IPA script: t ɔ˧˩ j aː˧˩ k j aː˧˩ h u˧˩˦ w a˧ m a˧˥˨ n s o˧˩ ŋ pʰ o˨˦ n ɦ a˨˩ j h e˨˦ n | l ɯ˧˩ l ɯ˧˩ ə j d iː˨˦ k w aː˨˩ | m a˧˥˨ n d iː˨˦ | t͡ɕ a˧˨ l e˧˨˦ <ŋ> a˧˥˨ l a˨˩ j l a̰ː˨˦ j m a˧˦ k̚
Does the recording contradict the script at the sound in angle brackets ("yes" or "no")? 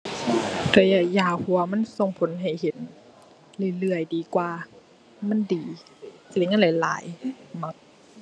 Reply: no